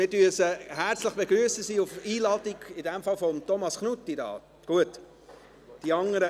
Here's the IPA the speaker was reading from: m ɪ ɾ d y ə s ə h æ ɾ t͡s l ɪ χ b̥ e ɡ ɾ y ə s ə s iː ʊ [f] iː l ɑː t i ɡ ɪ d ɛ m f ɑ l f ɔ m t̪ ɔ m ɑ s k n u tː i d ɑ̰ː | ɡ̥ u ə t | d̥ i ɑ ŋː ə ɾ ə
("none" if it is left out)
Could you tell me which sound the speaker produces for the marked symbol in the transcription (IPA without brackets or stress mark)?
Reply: f